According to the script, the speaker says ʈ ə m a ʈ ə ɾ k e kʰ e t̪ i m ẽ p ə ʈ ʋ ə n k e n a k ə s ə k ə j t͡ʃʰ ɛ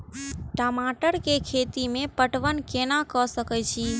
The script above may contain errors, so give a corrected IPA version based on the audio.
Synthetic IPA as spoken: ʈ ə m a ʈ ə ɾ k e kʰ e t̪ i m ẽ p ə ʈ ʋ ə n k e n a k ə s ə k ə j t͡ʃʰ i